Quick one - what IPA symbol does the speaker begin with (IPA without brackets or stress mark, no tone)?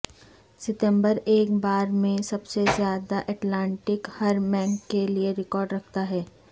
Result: s